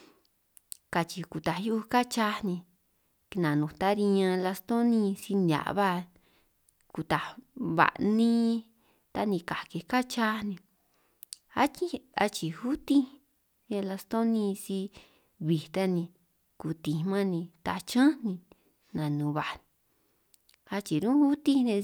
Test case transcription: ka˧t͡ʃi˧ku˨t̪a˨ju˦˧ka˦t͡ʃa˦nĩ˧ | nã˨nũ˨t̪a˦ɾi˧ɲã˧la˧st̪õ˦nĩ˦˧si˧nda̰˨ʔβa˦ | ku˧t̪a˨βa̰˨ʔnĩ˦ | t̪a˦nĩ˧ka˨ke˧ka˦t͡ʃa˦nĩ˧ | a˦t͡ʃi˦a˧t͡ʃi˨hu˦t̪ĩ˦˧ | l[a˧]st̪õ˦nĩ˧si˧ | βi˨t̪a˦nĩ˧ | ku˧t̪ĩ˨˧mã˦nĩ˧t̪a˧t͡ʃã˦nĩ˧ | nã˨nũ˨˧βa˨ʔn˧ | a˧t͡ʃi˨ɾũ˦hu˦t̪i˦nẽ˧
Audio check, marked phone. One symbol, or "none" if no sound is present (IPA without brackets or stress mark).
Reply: a˧